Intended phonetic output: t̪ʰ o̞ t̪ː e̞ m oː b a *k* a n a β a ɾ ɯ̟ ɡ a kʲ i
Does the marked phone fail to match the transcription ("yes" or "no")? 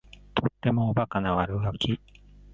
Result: no